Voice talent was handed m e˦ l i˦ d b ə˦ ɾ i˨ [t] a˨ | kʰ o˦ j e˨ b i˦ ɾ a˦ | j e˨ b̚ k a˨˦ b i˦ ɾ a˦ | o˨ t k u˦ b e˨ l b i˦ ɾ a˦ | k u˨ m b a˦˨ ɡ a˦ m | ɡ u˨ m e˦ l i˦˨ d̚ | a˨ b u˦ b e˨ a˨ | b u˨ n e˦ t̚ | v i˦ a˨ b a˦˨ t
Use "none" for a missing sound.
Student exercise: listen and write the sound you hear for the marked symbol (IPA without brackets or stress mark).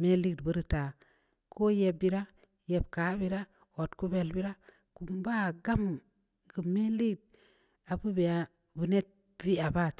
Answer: t